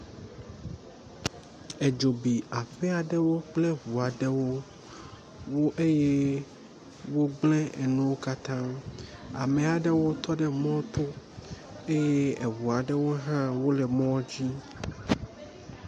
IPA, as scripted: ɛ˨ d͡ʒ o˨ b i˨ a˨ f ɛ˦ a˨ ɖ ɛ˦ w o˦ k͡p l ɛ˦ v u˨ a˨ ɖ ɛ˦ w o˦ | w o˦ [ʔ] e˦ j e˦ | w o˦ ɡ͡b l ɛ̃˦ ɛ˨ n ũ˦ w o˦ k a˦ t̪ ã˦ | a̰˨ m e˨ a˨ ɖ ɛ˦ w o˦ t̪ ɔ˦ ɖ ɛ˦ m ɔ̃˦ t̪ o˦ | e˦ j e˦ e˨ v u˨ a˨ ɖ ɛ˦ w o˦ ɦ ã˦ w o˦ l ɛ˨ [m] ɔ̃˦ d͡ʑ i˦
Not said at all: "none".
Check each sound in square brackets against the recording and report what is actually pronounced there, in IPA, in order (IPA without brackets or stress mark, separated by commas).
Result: ʔ, m